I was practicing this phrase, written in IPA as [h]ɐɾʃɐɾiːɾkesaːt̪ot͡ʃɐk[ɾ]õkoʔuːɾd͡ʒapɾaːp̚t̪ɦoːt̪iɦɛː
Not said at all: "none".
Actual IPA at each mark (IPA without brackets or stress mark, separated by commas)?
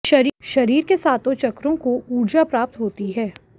ʃ, ɾ